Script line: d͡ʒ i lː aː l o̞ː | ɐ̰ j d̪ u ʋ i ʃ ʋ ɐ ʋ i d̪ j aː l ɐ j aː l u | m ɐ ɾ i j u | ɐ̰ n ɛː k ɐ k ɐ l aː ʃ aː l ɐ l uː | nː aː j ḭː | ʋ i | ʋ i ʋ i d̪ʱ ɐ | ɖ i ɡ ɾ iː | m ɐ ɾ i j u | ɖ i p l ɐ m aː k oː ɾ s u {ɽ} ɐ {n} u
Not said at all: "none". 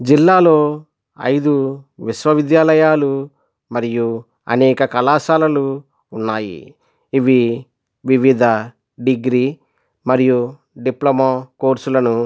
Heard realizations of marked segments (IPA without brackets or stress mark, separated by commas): l, n